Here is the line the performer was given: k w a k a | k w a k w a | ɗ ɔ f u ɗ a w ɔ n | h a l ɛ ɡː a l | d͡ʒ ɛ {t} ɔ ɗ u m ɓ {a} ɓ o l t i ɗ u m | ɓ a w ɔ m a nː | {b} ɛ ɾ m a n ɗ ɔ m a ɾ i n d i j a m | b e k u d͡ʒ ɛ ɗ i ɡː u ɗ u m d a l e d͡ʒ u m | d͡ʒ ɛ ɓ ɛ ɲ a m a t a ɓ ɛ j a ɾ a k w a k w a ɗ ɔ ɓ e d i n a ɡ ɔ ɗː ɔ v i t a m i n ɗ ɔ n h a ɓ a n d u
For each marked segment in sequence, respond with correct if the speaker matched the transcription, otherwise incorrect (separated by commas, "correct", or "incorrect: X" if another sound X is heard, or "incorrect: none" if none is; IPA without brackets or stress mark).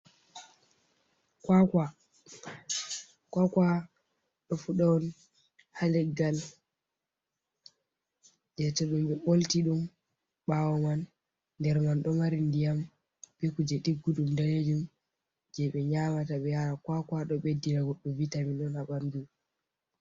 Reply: correct, incorrect: ɛ, incorrect: d